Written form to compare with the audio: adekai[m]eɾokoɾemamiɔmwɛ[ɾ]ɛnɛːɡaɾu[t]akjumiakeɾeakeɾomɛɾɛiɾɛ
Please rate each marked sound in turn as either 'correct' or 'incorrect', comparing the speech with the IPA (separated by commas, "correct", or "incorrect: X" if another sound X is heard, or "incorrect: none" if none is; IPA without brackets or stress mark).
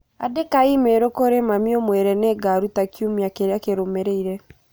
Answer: correct, correct, correct